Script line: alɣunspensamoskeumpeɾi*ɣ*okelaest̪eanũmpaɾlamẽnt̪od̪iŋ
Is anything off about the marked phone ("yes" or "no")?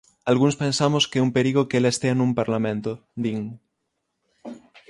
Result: no